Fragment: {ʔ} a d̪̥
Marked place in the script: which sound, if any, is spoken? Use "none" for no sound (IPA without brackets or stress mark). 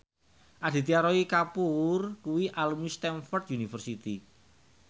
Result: ʔ